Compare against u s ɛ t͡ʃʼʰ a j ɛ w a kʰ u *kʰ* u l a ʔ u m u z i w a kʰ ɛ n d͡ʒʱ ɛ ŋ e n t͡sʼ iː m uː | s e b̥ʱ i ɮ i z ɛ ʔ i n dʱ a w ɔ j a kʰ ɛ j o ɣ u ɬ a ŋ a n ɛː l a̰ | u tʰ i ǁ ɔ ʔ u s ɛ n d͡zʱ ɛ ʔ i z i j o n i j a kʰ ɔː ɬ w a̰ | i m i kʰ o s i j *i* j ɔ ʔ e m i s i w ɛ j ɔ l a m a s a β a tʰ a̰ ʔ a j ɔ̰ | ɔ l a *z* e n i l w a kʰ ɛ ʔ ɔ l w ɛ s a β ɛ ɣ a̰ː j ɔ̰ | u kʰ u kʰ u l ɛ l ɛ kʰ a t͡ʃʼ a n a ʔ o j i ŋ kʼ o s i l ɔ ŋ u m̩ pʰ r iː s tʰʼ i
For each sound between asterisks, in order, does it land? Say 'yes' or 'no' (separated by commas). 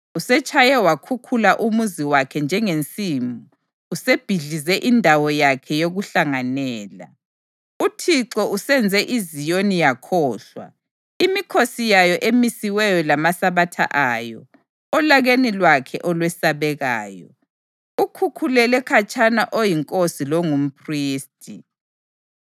yes, no, no